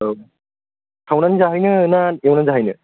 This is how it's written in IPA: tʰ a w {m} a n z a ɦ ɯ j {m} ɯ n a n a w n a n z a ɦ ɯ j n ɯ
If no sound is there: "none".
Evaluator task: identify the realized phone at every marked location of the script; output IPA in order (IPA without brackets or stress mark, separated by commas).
n, n